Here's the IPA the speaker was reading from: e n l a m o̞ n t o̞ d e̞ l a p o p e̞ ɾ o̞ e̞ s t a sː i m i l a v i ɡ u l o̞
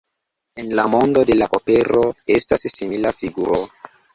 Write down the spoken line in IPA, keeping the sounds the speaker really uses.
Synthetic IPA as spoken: e n l a m o̞ n d o̞ d e̞ l a ʔ o p e̞ ɾ o̞ e̞ s t a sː i m i l a f i ɡ u ɾ o̞